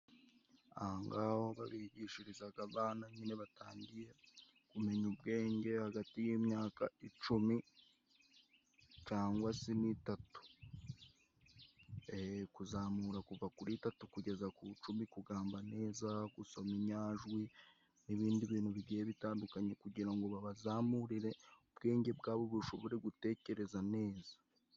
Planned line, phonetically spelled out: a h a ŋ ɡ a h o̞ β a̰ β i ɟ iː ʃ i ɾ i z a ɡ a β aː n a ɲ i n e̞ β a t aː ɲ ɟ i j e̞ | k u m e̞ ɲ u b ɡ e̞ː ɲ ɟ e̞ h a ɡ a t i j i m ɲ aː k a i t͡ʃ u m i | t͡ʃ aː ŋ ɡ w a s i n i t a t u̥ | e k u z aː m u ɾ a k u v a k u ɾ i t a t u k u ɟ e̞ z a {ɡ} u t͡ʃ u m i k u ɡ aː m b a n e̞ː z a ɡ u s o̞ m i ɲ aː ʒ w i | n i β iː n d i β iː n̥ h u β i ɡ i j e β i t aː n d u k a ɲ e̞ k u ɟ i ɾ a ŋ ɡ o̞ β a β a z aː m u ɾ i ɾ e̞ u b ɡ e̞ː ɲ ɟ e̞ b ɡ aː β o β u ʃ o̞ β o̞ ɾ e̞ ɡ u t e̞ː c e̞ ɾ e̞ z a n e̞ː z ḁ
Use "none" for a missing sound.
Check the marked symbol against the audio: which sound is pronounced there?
k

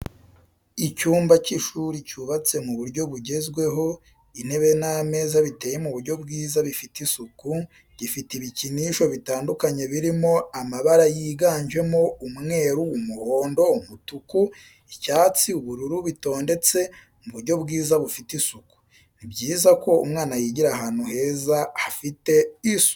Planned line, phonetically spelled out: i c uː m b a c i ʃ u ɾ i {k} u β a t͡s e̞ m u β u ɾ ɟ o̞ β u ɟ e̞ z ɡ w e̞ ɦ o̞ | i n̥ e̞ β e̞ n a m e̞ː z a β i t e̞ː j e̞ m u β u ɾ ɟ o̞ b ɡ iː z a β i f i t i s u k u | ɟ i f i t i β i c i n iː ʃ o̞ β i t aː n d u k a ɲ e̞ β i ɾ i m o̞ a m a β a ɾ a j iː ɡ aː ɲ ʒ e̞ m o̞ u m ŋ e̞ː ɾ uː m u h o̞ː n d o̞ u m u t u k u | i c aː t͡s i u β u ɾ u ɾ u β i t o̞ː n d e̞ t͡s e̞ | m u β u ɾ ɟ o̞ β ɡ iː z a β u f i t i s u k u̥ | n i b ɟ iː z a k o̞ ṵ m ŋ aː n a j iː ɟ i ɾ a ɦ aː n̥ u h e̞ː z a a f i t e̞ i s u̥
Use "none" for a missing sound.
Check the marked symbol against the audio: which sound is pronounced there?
c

